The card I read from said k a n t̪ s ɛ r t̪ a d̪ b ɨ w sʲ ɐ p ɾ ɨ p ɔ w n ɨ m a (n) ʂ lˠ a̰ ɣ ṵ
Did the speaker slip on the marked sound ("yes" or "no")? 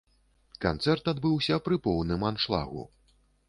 no